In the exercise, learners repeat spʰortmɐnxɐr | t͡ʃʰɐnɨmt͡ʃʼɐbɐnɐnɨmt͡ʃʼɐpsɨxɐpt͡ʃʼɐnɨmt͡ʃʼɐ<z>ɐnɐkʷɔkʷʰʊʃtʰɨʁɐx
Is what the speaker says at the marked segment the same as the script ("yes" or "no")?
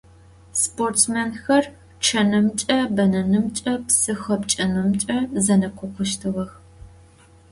yes